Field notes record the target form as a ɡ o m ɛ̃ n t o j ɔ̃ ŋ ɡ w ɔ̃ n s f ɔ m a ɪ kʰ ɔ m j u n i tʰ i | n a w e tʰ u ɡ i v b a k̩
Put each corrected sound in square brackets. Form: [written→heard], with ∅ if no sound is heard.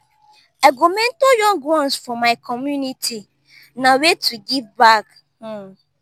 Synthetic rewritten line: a ɡ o m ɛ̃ n t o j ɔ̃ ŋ ɡ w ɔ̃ n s f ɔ m a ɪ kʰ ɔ m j u n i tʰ i | n a w e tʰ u ɡ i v b a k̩